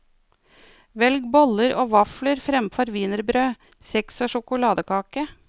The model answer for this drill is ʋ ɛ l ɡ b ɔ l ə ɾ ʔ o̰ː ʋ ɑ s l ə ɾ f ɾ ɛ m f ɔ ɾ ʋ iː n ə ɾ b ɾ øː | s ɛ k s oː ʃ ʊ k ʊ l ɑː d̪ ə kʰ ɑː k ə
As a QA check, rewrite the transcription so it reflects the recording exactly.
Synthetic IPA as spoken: ʋ ɛ l ɡ b ɔ l ə ɾ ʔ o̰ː ʋ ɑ f l ə ɾ f ɾ ɛ m f ɔ ɾ ʋ iː n ə ɾ b ɾ øː | s ɛ k s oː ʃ ʊ k ʊ l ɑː d̪ ə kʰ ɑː k ə